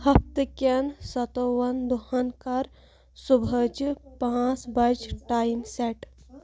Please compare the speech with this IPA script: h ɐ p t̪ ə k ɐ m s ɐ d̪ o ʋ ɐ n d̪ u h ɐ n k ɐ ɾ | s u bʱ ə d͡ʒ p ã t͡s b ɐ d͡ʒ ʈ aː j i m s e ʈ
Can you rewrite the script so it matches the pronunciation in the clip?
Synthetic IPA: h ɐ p t̪ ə k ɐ n s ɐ t̪ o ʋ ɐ n d̪ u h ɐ n k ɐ ɾ | s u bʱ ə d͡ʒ p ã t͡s b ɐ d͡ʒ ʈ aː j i m s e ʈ